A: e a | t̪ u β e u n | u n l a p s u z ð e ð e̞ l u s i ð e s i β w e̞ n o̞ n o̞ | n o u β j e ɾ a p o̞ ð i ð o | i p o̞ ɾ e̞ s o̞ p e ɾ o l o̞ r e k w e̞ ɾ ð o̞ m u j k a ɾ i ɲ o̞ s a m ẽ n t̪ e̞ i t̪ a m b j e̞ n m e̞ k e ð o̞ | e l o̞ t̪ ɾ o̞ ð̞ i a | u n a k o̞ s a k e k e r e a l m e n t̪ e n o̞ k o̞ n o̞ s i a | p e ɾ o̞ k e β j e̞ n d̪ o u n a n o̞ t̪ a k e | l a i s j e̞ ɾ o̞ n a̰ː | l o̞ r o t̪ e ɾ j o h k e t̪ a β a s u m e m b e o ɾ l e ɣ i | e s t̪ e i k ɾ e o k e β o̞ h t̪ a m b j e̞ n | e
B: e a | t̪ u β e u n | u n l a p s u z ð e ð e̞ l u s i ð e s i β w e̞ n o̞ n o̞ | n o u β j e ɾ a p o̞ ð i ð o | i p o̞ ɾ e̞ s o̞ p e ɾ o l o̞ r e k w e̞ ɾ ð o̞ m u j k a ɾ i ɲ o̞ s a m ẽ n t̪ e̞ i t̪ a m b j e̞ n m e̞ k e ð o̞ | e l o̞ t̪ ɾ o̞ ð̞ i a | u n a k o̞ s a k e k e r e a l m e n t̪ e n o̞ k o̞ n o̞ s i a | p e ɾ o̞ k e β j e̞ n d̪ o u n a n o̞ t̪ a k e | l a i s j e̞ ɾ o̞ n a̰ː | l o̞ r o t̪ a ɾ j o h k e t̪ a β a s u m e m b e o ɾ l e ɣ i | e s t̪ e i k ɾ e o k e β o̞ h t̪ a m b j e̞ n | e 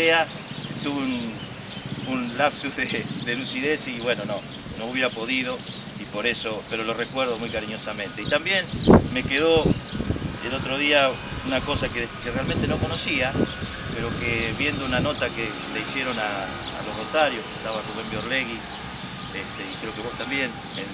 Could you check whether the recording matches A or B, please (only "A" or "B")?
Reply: B